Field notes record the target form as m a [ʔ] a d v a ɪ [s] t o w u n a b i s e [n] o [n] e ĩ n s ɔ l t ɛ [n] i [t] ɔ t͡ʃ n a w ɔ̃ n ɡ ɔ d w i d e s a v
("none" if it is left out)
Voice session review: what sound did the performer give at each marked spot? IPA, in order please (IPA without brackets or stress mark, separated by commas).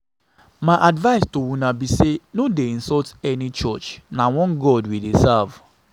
ʔ, s, n, d, n, t͡ʃ